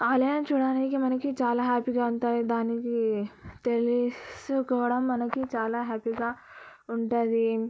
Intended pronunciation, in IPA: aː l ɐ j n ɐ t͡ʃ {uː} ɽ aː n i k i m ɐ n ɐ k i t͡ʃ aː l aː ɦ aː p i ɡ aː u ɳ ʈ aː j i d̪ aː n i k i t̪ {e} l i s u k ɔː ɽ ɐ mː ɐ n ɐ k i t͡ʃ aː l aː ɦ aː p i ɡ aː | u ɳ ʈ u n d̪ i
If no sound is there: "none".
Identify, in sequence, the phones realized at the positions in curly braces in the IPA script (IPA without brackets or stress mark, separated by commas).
uː, e